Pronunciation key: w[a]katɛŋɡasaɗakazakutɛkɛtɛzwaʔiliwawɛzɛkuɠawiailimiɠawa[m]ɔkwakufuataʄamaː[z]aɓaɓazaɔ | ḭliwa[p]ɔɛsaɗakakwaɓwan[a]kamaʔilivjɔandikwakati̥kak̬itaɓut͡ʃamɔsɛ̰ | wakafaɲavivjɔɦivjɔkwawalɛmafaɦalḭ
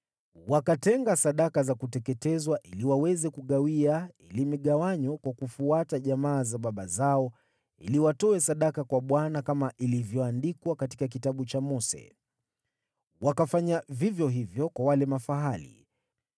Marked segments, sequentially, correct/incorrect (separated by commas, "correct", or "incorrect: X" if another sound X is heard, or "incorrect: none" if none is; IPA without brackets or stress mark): correct, incorrect: ɲ, correct, incorrect: t, correct